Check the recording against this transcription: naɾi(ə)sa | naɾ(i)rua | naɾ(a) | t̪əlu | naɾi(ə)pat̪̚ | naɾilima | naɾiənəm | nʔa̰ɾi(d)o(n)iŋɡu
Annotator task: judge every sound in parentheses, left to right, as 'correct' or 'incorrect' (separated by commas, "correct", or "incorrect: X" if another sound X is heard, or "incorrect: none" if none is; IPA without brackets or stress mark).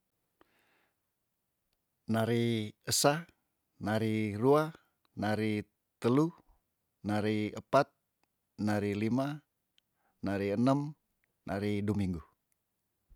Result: correct, correct, incorrect: i, correct, correct, incorrect: m